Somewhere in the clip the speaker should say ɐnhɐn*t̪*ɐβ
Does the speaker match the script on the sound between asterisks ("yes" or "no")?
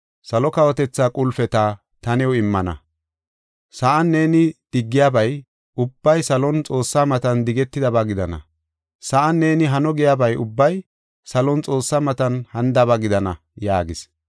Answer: no